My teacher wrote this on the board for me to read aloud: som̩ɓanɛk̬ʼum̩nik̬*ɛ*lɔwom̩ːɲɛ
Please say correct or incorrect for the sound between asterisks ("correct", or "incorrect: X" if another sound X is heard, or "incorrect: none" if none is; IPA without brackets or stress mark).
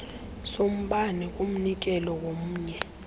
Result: correct